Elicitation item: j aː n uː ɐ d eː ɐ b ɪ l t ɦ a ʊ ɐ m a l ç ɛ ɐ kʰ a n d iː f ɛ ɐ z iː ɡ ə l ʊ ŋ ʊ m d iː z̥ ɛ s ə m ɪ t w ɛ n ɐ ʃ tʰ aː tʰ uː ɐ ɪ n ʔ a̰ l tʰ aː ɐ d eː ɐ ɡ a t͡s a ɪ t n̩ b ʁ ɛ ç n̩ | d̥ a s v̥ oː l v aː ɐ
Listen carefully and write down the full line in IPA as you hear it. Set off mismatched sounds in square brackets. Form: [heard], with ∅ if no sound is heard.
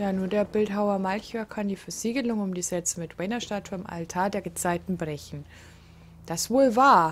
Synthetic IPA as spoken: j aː n uː ɐ d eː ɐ b ɪ l t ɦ a ʊ ɐ m a l ç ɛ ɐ kʰ a n d iː f ɛ ɐ z iː ɡ ə l ʊ ŋ ʊ m d iː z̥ ɛ [t͡s] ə m ɪ t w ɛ n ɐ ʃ [t] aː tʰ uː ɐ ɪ [m] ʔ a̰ l tʰ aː ɐ d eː ɐ ɡ [ə] t͡s a ɪ t n̩ b ʁ ɛ ç n̩ | d̥ a s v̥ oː l v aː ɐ